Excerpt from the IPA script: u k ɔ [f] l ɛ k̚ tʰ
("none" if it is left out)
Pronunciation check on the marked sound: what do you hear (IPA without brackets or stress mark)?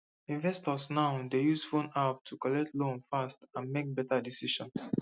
none